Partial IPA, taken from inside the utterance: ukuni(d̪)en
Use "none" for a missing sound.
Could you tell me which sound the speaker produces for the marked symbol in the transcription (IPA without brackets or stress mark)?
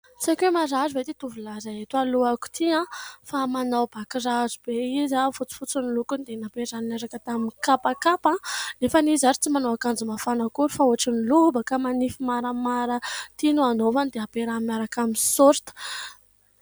d̪